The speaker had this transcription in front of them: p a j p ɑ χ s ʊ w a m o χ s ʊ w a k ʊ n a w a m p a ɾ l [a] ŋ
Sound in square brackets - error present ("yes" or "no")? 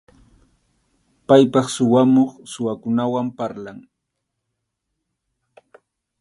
no